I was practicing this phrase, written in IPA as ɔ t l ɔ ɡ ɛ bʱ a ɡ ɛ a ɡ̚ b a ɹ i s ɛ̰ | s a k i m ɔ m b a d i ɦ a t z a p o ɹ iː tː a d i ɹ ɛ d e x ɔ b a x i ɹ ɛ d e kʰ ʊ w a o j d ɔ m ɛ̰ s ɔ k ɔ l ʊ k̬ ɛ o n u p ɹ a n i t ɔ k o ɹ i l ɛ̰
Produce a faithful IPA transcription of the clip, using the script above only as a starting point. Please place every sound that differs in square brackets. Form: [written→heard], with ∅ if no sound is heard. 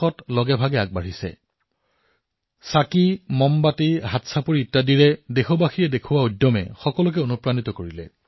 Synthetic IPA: ɔ t l ɔ ɡ ɛ bʱ a ɡ ɛ a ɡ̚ b a ɹ i s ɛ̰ | s a k i m ɔ m b a [d→t] i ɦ a t [z→s] a p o ɹ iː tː a d i ɹ ɛ d e x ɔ b a x i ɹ ɛ d e kʰ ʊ w a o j d ɔ m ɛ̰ [s→x] ɔ k ɔ l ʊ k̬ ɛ o n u p ɹ a n i t ɔ k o ɹ i l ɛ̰